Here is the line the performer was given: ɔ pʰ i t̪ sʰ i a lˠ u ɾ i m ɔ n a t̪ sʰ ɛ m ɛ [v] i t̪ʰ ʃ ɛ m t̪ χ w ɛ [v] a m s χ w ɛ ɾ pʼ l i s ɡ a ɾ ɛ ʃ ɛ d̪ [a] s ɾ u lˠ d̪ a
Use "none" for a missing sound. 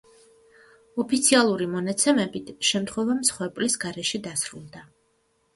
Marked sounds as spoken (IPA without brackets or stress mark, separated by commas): b, v, a